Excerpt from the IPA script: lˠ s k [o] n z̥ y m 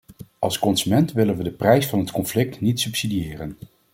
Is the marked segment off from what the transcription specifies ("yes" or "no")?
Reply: yes